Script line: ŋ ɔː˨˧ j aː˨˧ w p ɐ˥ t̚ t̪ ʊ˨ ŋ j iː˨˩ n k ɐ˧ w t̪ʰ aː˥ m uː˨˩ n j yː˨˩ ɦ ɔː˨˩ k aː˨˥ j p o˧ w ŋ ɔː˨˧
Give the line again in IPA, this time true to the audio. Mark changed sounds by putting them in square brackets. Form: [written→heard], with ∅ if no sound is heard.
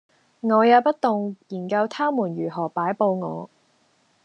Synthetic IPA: ŋ ɔː˨˧ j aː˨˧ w p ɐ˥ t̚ t̪ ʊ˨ ŋ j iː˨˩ n k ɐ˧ w t̪ʰ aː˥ m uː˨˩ n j yː˨˩ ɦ ɔː˨˩ [k→p] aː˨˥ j p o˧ w ŋ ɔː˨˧